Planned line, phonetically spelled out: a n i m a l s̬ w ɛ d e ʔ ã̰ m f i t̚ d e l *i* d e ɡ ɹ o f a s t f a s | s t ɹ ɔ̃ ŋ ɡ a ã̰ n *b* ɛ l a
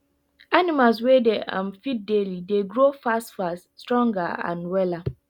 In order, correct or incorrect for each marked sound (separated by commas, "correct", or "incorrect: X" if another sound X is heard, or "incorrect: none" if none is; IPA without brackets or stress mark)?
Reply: correct, incorrect: w